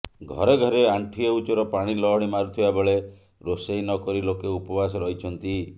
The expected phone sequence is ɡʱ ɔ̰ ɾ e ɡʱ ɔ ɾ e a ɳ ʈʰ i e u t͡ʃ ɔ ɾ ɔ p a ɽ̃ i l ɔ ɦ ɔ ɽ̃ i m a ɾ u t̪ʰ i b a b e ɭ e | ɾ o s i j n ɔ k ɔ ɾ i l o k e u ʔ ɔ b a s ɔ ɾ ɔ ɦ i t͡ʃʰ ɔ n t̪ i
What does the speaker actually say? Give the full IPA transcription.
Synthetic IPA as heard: ɡʱ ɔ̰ ɾ e ɡʱ ɔ ɾ e a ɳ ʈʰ i e u t͡ʃ ɔ ɾ ɔ p a ɽ̃ i l ɔ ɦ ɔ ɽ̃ i m a ɾ u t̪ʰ i b a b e ɭ e | ɾ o s e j n ɔ k ɔ ɾ i l o k e u p ɔ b a s ɔ ɾ ɔ ɦ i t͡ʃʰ ɔ n t̪ i